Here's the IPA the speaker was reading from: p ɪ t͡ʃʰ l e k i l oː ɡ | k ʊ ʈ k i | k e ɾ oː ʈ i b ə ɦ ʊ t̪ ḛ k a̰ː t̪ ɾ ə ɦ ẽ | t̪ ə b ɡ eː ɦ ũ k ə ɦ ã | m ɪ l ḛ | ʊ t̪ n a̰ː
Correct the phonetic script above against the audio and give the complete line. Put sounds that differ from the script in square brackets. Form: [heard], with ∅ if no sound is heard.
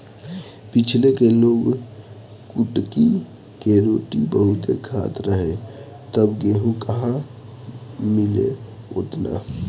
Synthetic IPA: p ɪ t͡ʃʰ l e k [e] l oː ɡ | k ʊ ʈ k i | k e ɾ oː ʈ i b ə ɦ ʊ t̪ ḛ [kʰ] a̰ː t̪ ɾ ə ɦ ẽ | t̪ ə b ɡ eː ɦ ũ k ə ɦ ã | m ɪ l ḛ | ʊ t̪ n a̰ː